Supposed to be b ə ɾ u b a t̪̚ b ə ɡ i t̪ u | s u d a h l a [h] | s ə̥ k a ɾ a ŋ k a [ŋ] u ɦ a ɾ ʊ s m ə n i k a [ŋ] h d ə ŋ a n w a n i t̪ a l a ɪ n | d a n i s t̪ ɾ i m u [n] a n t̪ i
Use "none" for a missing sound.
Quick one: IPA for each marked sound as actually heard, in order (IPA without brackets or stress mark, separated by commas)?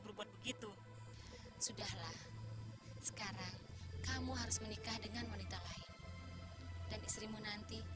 h, m, none, n